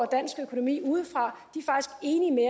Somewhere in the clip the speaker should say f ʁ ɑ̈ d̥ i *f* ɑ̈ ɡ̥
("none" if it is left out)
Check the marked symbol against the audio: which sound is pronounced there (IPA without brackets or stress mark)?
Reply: f